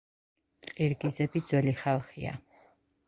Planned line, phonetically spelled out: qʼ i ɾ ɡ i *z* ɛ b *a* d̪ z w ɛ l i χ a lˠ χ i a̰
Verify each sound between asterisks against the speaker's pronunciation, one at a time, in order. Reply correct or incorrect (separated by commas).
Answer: correct, incorrect